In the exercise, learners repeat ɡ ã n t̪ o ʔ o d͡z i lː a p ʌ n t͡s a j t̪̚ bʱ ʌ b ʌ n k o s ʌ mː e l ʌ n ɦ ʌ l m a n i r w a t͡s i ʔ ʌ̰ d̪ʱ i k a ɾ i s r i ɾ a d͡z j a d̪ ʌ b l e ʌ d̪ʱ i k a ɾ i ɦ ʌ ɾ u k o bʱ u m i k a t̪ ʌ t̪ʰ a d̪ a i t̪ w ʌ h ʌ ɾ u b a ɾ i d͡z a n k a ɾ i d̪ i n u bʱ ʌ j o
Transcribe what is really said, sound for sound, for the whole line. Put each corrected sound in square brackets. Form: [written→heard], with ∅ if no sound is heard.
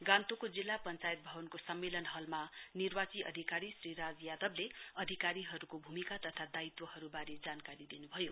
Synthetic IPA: ɡ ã n t̪ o [ʔ→k] o d͡z i lː a p ʌ n t͡s a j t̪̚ bʱ ʌ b ʌ n k o s ʌ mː e l ʌ n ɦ ʌ l m a n i r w a t͡s i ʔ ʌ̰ d̪ʱ i k a ɾ i s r i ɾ a d͡z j a d̪ ʌ b l e ʌ d̪ʱ i k a ɾ i ɦ ʌ ɾ u k o bʱ u m i k a t̪ ʌ t̪ʰ a d̪ a i t̪ w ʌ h ʌ ɾ u b a ɾ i d͡z a n k a ɾ i d̪ i n u bʱ ʌ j o